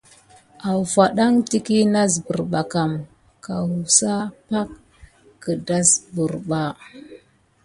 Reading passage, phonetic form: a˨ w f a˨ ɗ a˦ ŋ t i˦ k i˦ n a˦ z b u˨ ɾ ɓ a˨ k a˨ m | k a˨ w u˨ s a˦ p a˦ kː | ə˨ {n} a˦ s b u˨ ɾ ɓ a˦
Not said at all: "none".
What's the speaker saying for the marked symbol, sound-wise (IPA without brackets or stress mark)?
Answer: d